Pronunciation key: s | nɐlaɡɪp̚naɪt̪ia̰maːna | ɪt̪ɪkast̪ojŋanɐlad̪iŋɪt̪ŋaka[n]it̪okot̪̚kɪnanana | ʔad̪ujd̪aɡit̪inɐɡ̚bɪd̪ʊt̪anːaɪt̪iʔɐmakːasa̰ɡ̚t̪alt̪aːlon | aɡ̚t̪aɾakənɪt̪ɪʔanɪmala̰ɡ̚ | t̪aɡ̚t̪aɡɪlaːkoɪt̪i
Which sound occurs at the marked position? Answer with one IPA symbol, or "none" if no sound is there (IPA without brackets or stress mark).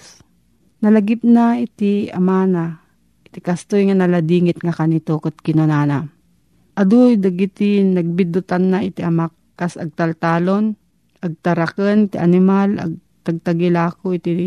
n